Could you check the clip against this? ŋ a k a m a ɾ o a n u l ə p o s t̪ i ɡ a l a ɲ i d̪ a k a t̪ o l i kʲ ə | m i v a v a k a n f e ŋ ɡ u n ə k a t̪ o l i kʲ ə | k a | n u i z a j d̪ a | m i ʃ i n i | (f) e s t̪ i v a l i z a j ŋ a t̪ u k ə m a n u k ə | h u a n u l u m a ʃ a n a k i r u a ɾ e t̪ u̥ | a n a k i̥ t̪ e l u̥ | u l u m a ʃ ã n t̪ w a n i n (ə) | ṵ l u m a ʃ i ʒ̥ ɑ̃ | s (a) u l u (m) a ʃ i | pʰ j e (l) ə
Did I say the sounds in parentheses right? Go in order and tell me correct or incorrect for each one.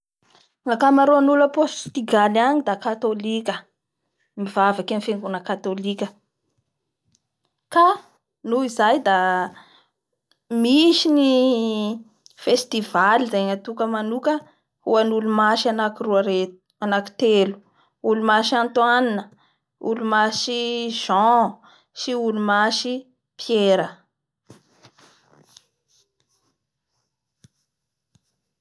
correct, correct, incorrect: i, correct, incorrect: ɾ

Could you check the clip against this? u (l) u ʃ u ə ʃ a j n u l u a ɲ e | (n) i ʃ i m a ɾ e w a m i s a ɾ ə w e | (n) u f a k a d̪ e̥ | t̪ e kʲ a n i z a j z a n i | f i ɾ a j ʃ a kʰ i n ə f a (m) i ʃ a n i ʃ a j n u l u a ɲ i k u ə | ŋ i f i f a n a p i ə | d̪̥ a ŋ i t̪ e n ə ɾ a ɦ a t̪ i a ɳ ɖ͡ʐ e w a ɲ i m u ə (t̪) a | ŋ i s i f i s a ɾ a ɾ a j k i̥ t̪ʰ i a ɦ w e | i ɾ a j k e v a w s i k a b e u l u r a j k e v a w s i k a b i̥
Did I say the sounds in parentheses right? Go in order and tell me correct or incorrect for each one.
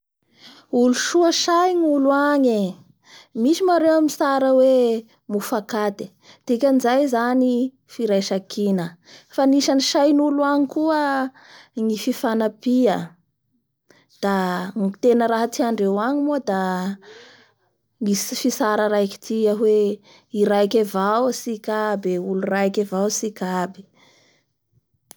correct, incorrect: m, incorrect: m, incorrect: n, incorrect: d̪

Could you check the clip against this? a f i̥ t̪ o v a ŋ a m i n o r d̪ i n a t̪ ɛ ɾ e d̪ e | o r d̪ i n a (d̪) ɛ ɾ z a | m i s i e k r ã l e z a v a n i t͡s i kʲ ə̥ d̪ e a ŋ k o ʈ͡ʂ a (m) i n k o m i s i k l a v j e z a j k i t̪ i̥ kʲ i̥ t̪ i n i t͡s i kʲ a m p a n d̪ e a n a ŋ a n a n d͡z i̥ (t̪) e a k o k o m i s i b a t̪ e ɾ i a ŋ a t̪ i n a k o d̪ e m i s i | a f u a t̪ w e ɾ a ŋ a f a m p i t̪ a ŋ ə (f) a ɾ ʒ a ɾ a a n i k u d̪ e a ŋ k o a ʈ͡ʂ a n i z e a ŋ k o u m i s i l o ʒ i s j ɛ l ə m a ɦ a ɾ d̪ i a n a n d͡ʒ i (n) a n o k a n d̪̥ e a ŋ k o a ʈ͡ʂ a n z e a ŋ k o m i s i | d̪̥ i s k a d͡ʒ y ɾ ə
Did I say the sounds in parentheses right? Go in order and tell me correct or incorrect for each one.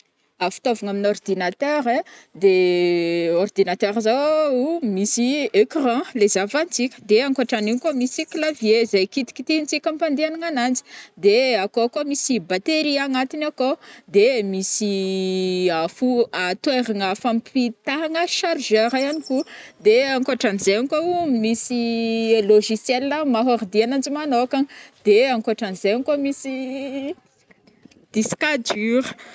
incorrect: t̪, incorrect: n, incorrect: d̪, incorrect: ʃ, incorrect: m

